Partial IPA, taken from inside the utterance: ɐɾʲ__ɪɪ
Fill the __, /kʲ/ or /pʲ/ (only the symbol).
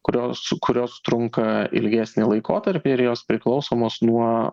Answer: pʲ